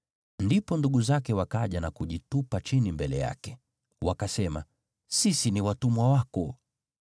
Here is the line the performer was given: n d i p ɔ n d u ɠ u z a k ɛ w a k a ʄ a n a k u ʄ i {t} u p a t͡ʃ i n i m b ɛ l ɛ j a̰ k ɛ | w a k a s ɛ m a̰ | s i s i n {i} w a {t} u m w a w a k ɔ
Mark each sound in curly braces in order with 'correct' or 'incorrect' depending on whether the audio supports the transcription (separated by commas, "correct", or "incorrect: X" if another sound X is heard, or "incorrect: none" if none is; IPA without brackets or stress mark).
correct, correct, correct